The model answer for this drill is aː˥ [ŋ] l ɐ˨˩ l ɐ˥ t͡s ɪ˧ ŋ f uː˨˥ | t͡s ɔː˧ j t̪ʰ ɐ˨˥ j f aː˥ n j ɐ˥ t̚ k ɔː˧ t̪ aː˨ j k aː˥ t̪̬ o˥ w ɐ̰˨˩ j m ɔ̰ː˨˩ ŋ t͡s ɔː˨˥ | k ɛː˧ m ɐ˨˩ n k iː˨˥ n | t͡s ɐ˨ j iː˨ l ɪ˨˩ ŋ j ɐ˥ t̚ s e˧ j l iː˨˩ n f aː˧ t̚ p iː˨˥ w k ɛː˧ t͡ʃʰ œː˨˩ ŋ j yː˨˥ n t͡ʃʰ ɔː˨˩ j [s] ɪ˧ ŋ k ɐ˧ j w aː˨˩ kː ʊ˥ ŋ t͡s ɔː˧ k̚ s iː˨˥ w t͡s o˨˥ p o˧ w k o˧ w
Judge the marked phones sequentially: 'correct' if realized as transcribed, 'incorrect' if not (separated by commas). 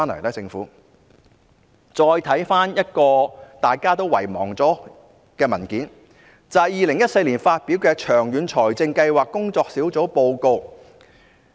incorrect, incorrect